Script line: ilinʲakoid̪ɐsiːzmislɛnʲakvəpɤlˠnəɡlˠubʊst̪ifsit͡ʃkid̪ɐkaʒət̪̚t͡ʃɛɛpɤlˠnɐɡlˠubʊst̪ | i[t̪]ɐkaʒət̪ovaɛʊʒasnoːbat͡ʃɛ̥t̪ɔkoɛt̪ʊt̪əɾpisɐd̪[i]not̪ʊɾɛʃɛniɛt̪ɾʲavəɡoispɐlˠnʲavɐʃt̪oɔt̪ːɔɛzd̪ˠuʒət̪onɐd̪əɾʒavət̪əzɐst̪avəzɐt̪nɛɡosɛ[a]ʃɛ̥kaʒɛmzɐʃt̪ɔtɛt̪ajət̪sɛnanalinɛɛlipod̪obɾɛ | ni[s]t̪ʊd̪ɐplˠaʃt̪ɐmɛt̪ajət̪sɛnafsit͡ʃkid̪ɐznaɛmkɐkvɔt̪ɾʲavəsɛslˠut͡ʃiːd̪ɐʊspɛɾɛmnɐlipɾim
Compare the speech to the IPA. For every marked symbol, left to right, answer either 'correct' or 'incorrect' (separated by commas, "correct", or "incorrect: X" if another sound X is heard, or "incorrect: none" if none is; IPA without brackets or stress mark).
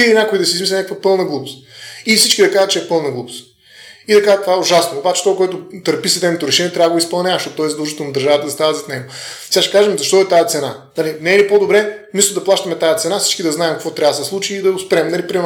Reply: incorrect: d̪, incorrect: ɛ, correct, correct